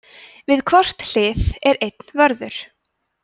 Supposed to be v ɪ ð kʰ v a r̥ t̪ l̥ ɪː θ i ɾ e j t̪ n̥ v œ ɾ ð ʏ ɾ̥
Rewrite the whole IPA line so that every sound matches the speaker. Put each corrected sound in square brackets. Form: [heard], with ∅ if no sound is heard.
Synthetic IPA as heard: v ɪ ð kʰ v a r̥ t̪ l̥ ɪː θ [ɛ] ɾ e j t̪ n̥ v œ ɾ ð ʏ ɾ̥